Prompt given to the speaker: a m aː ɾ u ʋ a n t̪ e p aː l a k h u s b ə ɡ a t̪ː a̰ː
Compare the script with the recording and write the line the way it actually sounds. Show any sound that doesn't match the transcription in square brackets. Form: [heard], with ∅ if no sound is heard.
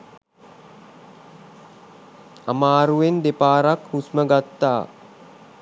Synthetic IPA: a m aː ɾ u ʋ [e] n [d̪] e p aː [ɾ] a k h u s [m] ə ɡ a t̪ː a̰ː

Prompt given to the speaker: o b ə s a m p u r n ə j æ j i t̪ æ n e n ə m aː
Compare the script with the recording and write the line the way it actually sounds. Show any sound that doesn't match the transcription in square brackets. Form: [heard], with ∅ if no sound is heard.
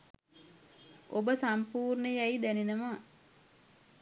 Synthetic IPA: o b ə s a m p [uː] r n ə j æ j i [d̪] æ n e n ə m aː

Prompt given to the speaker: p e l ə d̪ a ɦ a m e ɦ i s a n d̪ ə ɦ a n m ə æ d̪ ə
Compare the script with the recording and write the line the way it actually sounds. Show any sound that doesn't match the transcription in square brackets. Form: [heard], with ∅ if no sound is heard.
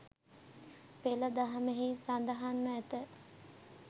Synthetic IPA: p e l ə d̪ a ɦ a m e ɦ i s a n d̪ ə ɦ a n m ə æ [t̪] ə

